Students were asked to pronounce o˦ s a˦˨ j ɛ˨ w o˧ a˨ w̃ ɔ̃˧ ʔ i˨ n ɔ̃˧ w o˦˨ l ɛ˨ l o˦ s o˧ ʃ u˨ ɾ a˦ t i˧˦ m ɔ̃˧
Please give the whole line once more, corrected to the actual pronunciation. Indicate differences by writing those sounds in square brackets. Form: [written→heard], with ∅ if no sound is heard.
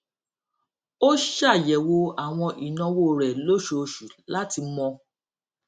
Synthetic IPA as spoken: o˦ [s→ʃ] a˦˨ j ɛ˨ w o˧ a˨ w̃ ɔ̃˧ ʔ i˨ n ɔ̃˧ w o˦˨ [l→ɾ] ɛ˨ l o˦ [s→ʃ] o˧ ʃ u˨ [ɾ→l] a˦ t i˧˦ m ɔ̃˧